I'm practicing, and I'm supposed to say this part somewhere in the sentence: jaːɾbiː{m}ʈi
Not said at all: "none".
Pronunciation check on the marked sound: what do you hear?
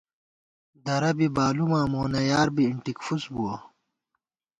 ɳ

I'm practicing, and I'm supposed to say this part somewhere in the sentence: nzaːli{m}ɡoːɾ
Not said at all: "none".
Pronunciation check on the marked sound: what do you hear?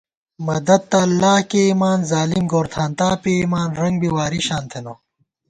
m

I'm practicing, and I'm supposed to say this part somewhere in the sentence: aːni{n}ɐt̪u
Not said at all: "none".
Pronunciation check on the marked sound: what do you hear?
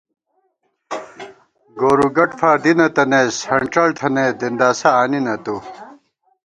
n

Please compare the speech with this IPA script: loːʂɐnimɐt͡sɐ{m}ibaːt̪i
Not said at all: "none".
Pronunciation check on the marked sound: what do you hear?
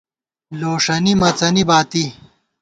n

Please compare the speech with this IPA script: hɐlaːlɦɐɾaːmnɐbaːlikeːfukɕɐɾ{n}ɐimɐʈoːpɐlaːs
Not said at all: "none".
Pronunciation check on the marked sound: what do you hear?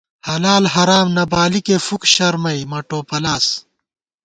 m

